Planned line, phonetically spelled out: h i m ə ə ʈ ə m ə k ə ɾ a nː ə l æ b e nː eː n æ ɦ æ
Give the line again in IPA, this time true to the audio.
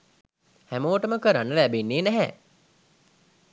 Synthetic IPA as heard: h æ m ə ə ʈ ə m ə k ə ɾ a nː ə l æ b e nː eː n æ ɦ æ